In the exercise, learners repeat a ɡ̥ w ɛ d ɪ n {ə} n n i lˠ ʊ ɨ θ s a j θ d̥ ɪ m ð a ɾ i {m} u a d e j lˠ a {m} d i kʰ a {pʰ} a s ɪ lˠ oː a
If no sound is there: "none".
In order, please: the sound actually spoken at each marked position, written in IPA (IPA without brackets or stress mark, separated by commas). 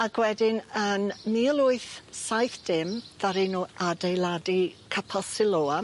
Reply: ə, n, none, pʰ